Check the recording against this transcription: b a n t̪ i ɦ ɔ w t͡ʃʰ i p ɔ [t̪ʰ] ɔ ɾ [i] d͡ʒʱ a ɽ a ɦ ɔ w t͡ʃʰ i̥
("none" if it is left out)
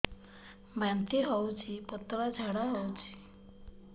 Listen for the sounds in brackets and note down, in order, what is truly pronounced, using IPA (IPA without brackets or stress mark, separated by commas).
t̪, a